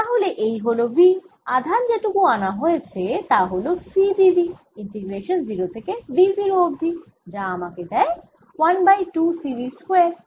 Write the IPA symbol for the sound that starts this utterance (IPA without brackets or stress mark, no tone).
t̪